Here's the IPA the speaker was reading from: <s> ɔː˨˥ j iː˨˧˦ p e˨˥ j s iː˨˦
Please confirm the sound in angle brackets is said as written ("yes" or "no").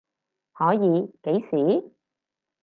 no